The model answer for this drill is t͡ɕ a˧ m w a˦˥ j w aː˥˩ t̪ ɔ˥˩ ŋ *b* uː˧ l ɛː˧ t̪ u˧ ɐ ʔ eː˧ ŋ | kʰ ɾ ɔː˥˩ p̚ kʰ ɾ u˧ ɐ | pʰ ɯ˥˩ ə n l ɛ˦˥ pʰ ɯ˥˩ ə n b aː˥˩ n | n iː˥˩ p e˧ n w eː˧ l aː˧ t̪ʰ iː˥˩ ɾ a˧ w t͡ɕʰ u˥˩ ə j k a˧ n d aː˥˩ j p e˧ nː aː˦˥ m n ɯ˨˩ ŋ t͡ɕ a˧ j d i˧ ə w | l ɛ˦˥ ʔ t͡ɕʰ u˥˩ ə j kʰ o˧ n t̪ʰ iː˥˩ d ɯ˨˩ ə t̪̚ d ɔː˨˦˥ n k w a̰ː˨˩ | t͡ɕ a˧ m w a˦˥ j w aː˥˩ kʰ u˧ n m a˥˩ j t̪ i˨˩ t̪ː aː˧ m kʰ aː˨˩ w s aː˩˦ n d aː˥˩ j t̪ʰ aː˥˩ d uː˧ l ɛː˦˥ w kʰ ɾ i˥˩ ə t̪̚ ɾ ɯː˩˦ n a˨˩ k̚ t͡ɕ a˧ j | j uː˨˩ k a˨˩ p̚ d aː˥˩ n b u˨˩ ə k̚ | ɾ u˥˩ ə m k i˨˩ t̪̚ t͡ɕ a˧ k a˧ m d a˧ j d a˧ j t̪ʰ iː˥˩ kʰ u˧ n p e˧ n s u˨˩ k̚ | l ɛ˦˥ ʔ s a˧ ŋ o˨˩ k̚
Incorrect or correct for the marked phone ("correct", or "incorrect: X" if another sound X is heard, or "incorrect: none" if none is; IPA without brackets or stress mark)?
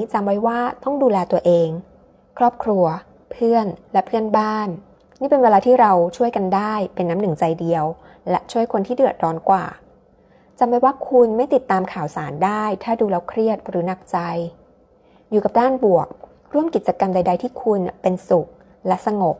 incorrect: d